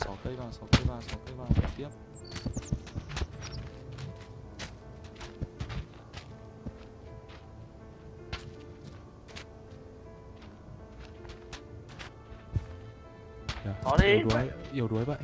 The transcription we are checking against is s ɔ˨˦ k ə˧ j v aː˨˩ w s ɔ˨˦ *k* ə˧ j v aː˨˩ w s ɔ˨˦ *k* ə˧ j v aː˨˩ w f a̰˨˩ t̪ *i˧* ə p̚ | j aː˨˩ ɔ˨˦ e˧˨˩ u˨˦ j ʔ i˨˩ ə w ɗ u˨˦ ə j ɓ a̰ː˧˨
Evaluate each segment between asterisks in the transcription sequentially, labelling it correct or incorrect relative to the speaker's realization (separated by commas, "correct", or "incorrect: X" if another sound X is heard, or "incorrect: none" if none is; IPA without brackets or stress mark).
correct, correct, incorrect: i˦˥